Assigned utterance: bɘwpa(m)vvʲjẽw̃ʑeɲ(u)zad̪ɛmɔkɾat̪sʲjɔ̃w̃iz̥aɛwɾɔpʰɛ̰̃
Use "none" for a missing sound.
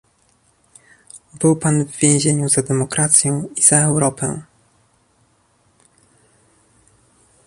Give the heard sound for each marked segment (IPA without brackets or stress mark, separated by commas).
n, u